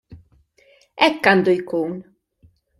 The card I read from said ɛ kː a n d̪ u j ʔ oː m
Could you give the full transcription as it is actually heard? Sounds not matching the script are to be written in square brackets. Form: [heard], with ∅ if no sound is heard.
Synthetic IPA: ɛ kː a n d̪ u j [k] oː [n]